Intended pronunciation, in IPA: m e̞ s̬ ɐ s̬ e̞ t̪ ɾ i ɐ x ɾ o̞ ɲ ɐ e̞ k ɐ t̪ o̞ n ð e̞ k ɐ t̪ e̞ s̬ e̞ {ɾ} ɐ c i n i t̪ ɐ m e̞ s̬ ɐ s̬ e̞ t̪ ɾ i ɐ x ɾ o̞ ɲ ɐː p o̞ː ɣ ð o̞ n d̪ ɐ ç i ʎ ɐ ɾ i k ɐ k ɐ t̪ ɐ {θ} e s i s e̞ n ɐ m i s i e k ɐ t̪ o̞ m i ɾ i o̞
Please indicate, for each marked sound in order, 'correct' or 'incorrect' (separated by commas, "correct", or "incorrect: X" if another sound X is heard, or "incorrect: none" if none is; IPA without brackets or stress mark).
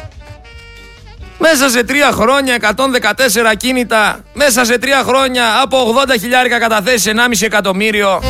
correct, correct